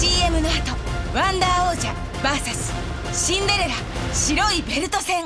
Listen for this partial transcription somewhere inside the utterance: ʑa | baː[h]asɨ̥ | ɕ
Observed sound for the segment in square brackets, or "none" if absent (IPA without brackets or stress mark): s